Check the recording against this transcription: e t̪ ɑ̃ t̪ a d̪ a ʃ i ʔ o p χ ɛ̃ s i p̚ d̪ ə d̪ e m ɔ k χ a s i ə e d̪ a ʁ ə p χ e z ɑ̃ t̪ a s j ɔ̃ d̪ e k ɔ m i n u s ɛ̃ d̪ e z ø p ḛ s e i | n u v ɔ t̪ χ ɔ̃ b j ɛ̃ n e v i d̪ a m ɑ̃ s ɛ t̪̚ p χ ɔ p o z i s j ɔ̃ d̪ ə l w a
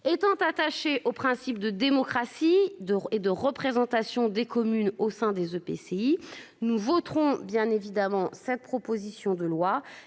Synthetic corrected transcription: e t̪ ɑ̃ t̪ a t̪ a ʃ e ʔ o p χ ɛ̃ s i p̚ d̪ ə d̪ e m ɔ k χ a s i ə e d̪ ə ʁ ə p χ e z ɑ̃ t̪ a s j ɔ̃ d̪ e k ɔ m y n o s ɛ̃ d̪ e z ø p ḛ s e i | n u v ɔ t̪ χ ɔ̃ b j ɛ̃ n e v i d̪ a m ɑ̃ s ɛ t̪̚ p χ ɔ p o z i s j ɔ̃ d̪ ə l w a